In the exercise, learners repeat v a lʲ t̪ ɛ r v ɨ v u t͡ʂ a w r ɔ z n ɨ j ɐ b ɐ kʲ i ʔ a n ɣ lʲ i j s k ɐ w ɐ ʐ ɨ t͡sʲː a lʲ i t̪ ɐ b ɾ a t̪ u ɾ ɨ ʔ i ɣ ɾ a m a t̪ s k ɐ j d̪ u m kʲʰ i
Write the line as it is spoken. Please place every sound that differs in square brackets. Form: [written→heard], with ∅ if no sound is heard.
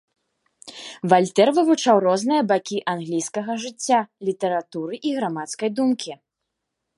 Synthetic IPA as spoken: v a lʲ t̪ ɛ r v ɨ v u t͡ʂ a w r ɔ z n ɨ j ɐ b [ɐ→a] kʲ i ʔ a n ɣ lʲ i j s k ɐ [w→ɣ] ɐ ʐ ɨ t͡sʲː a lʲ i t̪ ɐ [b→∅] ɾ a t̪ u ɾ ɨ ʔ i ɣ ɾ a m a t̪ s k ɐ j d̪ u m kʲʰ i